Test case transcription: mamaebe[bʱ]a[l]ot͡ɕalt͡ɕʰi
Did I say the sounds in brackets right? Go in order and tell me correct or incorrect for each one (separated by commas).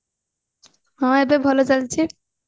correct, correct